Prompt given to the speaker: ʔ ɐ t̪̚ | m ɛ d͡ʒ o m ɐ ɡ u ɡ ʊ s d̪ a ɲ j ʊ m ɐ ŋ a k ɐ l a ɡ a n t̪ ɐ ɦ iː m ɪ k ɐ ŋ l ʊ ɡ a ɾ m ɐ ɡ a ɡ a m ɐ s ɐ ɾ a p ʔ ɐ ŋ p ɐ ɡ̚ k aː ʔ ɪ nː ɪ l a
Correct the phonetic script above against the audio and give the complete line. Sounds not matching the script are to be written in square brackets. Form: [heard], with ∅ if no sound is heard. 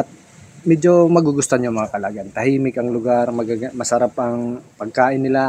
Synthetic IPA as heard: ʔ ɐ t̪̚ | m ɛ d͡ʒ o m ɐ ɡ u ɡ ʊ s [t̪] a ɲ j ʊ m ɐ ŋ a k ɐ l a ɡ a n t̪ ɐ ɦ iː m ɪ k ɐ ŋ l ʊ ɡ a ɾ m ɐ ɡ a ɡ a m ɐ s ɐ ɾ a p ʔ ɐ ŋ p ɐ ɡ̚ k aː ʔ ɪ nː ɪ l a